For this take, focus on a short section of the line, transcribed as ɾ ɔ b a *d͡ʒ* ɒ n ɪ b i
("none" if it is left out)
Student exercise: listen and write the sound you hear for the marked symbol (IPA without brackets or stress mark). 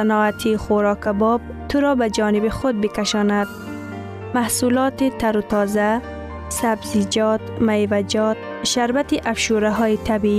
d͡ʒ